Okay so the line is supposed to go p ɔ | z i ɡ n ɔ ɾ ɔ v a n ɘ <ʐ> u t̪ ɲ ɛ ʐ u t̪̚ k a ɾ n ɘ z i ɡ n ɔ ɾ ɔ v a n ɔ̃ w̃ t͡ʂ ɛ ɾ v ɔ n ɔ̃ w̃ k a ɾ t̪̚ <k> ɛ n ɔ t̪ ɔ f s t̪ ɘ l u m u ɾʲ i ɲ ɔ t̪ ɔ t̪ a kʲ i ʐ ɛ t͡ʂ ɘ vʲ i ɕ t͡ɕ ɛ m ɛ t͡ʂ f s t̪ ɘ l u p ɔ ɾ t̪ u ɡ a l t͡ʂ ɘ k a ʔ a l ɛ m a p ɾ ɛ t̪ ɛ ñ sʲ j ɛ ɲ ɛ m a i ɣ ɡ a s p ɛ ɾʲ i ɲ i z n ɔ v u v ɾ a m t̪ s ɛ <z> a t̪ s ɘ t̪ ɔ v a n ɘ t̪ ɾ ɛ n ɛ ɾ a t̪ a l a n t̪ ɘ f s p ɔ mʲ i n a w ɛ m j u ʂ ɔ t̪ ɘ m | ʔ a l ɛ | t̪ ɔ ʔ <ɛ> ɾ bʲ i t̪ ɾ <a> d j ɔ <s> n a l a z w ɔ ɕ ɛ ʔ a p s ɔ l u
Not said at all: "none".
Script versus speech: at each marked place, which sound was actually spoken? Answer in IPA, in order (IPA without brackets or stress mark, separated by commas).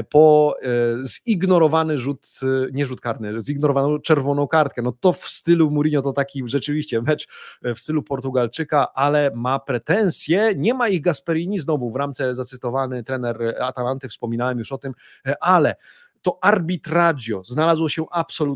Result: ʐ, k, z, a, a, z